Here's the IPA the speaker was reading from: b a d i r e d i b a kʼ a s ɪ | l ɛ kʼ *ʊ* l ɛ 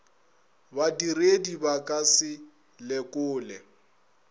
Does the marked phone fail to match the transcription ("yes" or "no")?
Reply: yes